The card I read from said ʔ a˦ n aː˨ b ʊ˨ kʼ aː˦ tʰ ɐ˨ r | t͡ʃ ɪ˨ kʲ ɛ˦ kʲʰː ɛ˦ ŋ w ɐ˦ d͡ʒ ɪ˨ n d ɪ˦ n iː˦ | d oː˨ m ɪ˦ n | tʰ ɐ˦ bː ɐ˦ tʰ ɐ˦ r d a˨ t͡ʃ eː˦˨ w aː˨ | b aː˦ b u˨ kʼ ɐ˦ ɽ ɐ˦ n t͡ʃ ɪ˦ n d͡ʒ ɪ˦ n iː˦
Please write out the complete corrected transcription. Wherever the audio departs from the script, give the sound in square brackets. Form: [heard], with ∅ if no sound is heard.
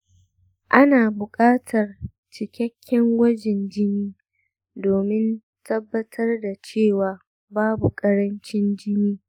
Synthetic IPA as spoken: ʔ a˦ n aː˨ b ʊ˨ kʼ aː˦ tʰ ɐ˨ r | t͡ʃ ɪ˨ kʲ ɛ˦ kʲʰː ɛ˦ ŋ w ɐ˦ d͡ʒ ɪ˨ n [d͡ʒ] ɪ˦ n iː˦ | d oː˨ m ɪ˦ n | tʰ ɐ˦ bː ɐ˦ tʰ ɐ˦ r d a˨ t͡ʃ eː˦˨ w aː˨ | b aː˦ b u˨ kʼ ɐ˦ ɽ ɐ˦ n t͡ʃ ɪ˦ n d͡ʒ ɪ˦ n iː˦